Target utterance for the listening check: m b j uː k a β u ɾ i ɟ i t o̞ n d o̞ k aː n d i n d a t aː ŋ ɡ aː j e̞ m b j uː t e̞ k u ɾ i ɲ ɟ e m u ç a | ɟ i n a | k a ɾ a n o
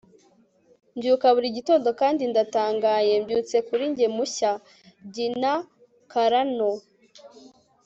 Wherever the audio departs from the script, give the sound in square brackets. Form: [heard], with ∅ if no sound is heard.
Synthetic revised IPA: m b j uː k a β u ɾ i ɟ i t o̞ n d o̞ k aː n d i n d a t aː ŋ ɡ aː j e̞ m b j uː [t͡s] e̞ k u ɾ i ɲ ɟ e m u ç a | ɟ i n a | k a ɾ a n o